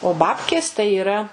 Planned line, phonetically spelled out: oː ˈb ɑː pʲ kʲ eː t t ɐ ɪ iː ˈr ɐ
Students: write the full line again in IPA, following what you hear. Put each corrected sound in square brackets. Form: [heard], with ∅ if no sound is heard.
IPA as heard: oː ˈb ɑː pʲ kʲ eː [s] t ɐ ɪ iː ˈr ɐ